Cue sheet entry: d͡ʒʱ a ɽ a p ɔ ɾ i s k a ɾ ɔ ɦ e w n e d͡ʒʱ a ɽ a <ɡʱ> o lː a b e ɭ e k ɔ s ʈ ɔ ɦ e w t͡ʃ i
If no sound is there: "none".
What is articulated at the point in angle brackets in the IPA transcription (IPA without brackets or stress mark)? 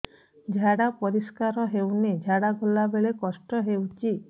ɡʱ